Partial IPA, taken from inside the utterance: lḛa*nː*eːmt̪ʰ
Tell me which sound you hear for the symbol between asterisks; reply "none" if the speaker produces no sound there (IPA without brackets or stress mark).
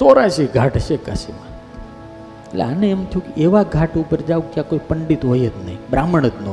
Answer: n